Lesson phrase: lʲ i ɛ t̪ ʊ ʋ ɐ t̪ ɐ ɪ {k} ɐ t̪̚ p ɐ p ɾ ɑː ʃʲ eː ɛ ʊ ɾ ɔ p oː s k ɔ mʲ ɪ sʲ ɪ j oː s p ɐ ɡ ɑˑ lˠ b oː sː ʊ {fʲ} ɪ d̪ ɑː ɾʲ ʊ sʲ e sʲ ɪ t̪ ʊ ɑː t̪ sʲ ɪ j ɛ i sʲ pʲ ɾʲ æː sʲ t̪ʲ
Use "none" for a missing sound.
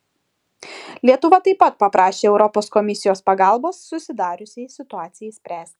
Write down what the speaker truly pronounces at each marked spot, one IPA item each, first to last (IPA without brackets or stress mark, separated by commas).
p, sʲ